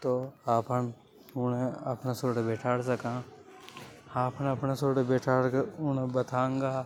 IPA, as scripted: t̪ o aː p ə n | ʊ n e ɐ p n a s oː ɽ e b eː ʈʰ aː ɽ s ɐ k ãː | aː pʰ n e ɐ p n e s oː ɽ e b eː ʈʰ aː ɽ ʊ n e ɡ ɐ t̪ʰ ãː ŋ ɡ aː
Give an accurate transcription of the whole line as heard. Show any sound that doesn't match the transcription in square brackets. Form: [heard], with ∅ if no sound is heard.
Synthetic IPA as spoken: t̪ o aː p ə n | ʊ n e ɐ p n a s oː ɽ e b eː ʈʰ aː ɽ s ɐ k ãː | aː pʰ n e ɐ p n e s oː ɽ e b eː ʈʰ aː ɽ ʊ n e [b] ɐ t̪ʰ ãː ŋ ɡ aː